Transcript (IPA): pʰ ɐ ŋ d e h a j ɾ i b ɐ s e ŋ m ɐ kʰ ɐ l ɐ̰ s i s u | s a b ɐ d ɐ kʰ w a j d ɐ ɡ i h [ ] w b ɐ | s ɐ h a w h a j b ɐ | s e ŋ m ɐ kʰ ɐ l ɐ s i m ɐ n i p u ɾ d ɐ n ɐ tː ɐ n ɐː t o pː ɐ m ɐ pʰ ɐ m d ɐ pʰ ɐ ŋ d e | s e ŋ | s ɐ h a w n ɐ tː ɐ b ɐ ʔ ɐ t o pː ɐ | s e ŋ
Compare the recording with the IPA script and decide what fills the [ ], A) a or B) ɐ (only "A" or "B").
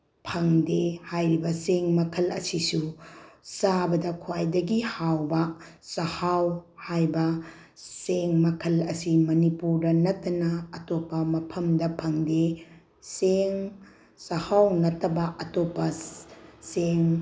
A